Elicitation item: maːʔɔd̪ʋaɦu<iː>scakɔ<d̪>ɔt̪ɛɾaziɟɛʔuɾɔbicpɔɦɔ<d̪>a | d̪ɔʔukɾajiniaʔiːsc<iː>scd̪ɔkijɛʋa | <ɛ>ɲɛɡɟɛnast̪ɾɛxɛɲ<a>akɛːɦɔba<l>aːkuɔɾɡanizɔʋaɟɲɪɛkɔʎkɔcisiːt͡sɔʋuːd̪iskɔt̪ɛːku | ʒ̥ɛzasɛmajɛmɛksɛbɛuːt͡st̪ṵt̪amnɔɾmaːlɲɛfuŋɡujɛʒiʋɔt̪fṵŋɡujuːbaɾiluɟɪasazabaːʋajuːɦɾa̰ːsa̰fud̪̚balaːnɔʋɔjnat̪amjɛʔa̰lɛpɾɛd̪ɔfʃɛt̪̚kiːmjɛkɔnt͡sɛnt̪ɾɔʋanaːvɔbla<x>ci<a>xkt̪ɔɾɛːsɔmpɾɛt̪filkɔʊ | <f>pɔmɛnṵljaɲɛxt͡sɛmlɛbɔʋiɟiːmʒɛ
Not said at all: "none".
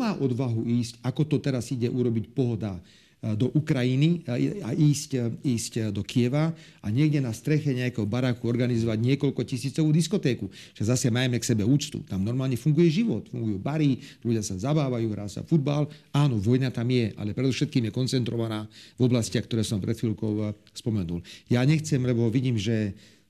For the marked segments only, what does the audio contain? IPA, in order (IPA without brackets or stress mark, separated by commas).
iː, t̪, d̪, iː, a, ɛ, ɾ, s, a, s